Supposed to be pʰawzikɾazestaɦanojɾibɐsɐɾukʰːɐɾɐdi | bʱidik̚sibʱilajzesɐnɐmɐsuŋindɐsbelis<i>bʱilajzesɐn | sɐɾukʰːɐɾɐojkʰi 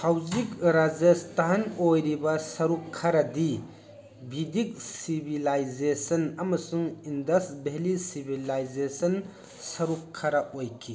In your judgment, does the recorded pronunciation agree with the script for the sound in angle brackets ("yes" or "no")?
yes